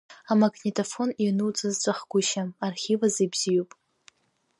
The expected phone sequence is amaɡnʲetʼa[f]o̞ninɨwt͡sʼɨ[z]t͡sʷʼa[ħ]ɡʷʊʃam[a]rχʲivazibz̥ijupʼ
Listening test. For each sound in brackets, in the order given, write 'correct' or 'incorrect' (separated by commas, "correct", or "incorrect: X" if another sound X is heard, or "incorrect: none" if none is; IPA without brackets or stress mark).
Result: correct, correct, incorrect: χ, correct